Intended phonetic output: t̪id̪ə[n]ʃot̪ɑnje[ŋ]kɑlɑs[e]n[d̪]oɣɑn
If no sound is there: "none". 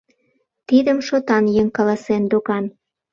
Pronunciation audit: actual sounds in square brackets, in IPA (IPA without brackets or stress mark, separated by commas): m, ŋ, e, d̪